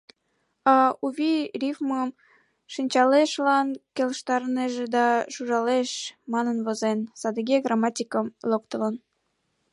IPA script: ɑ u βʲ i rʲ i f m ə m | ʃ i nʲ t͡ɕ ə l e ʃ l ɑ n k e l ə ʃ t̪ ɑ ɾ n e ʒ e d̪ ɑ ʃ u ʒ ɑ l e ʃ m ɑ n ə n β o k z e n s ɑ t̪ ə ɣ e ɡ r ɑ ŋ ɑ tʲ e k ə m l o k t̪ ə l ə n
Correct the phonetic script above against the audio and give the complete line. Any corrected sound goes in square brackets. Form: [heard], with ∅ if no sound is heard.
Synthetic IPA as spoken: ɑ u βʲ i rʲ i f m ə m | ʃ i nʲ t͡ɕ [ɑ] l e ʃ l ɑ n k e l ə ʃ t̪ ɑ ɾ n e ʒ e d̪ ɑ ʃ u ʒ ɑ l e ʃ m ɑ n ə n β o [∅] z e n s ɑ [d̪] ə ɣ e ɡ r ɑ [m] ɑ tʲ [i] k ə m l o k t̪ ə l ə n